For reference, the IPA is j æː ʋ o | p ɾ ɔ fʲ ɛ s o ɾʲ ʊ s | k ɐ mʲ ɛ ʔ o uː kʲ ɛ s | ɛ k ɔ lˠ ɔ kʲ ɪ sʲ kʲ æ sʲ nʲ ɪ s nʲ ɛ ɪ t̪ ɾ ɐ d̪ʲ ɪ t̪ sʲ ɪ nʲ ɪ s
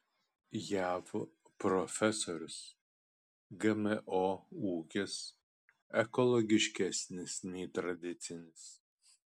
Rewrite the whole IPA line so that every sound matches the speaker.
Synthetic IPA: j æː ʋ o | p ɾ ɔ fʲ ɛ s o ɾʲ ʊ s | ɡ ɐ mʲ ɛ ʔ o uː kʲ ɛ s | ɛ k ɔ lˠ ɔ ɡʲ ɪ ʃʲ kʲ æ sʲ nʲ ɪ s nʲ ɛ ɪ t̪ ɾ ɐ d̪ʲ ɪ t̪ sʲ ɪ nʲ ɪ s